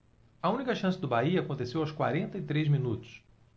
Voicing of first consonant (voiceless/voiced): voiced